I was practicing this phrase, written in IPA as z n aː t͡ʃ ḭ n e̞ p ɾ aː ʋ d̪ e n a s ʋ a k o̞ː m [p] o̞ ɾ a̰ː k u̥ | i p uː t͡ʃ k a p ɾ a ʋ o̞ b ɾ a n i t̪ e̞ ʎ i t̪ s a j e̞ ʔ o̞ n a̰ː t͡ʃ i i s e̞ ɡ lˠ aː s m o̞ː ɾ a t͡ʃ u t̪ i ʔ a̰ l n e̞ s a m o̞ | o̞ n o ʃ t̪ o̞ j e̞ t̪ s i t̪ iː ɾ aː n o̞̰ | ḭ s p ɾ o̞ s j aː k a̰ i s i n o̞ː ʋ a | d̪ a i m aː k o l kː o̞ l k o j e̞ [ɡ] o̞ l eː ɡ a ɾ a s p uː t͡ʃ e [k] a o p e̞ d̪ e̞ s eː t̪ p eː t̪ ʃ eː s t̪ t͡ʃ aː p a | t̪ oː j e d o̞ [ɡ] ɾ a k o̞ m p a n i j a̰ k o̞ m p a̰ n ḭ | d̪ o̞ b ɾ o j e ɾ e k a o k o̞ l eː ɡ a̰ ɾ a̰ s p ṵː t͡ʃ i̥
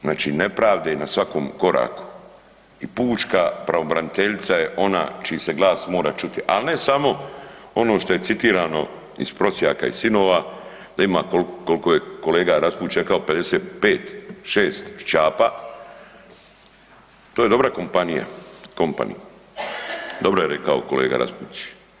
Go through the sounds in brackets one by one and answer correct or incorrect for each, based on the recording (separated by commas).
incorrect, incorrect, correct, incorrect